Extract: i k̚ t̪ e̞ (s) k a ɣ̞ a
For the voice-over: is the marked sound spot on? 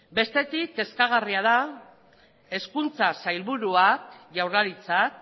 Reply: yes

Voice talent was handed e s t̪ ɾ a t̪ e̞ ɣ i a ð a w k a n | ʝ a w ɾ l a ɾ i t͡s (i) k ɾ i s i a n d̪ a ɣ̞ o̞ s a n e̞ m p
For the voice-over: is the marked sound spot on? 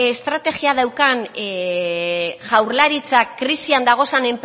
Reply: no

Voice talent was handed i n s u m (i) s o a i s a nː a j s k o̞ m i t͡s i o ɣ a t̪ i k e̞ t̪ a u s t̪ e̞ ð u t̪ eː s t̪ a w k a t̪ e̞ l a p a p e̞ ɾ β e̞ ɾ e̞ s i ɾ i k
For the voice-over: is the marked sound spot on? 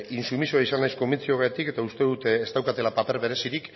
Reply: yes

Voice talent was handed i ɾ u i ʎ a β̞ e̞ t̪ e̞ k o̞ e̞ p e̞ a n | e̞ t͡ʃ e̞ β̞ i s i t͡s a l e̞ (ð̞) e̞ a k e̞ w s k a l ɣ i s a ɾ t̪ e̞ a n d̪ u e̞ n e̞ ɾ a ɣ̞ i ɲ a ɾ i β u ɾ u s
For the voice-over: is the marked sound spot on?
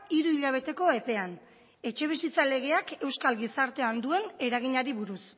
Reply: no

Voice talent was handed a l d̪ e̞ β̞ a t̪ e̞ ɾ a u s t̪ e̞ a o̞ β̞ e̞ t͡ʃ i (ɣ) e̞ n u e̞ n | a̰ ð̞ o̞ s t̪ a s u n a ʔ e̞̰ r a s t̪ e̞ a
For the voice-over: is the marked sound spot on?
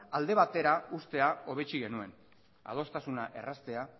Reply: yes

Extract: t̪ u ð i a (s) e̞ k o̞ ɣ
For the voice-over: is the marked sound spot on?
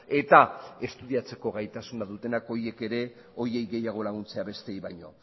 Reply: no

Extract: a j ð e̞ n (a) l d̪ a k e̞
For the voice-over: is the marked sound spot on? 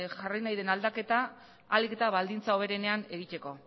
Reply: yes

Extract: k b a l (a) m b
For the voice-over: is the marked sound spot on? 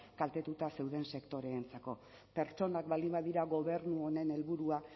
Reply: no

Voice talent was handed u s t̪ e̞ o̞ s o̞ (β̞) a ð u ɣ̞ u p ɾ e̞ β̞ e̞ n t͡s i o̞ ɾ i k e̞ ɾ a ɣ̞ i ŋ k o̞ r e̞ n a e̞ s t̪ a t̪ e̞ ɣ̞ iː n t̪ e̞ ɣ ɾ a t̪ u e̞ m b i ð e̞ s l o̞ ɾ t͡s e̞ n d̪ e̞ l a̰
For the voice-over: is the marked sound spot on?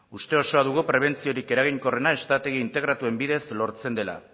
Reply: no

